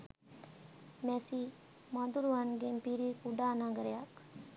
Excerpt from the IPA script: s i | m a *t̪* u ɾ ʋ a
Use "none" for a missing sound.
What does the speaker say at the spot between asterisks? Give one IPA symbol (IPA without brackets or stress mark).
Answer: d̪